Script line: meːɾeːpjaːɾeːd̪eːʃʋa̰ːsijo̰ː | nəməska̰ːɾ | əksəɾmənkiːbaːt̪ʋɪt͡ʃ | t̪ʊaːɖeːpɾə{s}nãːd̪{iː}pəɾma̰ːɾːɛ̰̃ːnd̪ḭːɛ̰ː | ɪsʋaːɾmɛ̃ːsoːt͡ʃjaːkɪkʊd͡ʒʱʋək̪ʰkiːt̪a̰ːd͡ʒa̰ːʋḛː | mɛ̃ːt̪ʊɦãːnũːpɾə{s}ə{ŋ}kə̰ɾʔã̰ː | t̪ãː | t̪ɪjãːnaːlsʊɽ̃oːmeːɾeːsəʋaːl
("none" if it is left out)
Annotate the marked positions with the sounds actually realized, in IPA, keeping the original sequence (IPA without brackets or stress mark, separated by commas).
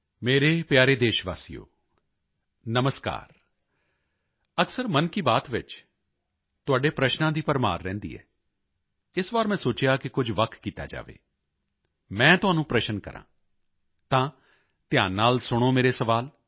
ʃ, iː, ʃ, n